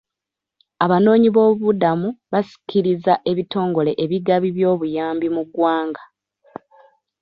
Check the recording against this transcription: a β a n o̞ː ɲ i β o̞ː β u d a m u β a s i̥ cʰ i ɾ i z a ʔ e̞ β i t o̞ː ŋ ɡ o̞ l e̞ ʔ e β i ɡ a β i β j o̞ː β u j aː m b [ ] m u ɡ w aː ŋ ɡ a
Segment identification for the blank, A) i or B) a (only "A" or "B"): A